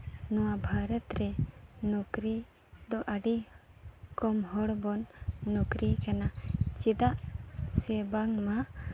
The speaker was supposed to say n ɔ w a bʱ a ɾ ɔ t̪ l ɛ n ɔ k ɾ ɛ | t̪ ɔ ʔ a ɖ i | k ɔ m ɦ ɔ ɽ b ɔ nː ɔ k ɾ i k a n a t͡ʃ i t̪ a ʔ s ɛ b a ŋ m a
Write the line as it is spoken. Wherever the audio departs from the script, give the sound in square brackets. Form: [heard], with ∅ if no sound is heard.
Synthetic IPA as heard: n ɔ w a bʱ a ɾ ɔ t̪ [ɾ] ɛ n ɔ k ɾ [i] | [d̪] ɔ ʔ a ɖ i | k ɔ m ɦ ɔ ɽ b ɔ nː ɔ k ɾ i k a n a t͡ʃ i [d̪] a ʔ s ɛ b a ŋ m a